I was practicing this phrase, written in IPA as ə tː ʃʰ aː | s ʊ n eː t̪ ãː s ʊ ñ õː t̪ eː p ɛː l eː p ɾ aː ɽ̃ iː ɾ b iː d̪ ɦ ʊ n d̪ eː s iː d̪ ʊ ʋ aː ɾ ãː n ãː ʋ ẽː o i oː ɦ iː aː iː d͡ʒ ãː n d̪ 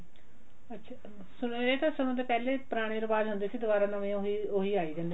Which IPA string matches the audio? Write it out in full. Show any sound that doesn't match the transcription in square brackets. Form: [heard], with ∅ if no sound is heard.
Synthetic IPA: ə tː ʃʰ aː | s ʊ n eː t̪ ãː s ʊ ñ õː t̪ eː p ɛː l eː p ɾ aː ɽ̃ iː ɾ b [aː] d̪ ɦ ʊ n d̪ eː s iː d̪ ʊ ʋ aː ɾ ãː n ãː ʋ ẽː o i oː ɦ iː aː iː d͡ʒ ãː n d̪